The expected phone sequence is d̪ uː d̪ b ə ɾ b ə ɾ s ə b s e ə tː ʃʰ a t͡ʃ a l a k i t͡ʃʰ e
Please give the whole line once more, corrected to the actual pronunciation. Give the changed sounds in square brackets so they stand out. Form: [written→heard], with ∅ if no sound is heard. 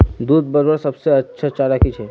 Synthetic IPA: d̪ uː d̪ b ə ɾ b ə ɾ s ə b s e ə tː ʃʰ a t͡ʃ a l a k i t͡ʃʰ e